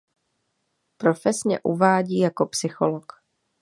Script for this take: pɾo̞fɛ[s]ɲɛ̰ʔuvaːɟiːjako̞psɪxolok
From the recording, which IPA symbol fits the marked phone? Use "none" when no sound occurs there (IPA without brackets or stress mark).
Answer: s